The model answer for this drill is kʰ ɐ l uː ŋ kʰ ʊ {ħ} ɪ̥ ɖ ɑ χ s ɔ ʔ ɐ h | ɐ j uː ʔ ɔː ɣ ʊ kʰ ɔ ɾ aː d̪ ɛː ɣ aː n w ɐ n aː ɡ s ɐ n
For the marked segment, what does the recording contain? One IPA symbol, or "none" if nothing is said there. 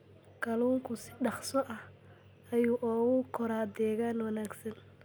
s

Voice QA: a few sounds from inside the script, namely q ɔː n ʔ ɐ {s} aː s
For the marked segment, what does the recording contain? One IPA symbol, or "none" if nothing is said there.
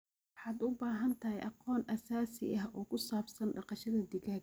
s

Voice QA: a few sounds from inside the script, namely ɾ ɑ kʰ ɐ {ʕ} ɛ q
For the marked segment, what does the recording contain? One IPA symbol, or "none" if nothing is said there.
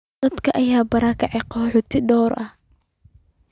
ʕ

